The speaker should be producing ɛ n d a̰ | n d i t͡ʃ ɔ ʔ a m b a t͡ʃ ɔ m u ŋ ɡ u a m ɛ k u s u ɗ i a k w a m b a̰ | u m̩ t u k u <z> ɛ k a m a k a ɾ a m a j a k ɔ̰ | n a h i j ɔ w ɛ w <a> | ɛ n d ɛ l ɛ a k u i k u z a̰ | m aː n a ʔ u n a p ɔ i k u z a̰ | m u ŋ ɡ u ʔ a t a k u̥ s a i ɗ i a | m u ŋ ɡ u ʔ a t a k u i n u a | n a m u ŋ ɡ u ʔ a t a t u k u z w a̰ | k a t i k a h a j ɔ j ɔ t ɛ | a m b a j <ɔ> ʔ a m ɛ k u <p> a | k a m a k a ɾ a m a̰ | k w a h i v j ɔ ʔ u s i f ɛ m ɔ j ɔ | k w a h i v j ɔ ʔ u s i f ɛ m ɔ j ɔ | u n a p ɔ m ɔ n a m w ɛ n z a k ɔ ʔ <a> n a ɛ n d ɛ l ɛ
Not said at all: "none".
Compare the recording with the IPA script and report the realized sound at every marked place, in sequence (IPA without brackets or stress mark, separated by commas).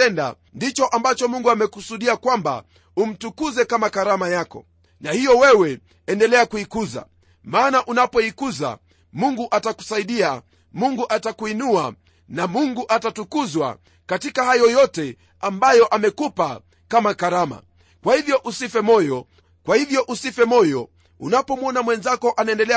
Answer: z, ɛ, ɔ, p, a